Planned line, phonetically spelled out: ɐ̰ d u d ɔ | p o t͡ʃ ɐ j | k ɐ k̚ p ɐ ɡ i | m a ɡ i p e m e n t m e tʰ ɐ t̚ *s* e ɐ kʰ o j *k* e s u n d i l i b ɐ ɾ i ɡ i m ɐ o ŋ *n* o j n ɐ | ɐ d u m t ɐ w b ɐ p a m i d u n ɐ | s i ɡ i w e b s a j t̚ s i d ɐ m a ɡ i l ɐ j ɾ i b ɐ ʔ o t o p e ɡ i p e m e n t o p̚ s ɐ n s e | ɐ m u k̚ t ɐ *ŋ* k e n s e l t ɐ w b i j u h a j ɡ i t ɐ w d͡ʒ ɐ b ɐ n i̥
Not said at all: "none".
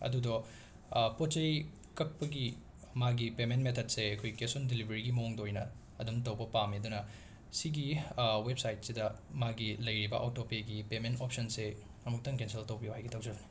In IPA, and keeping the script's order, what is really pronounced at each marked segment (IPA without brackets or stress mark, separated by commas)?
s, k, d, ŋ